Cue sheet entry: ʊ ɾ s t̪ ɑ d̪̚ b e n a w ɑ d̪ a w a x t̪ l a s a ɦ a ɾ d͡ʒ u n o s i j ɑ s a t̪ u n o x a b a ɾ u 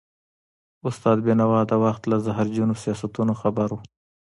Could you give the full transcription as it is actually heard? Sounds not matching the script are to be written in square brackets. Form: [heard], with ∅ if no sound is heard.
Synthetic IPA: ʊ [∅] s t̪ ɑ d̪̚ b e n a w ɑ d̪ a w a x t̪ l a [z] a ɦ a ɾ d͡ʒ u n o s i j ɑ s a t̪ u n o x a b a ɾ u